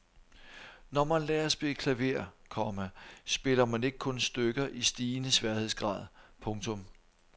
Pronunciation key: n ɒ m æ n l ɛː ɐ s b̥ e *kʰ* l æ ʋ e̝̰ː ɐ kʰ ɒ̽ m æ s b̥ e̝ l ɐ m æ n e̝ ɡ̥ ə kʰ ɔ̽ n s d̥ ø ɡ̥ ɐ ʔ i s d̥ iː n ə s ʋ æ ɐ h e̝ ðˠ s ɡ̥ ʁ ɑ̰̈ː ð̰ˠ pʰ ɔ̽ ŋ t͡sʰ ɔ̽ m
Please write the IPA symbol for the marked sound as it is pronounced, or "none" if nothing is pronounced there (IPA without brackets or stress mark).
kʰ